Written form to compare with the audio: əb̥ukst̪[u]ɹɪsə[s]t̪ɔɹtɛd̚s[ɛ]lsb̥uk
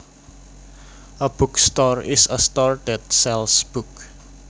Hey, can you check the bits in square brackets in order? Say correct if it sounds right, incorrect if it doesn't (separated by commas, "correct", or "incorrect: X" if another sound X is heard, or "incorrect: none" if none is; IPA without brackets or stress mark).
incorrect: ɔ, correct, correct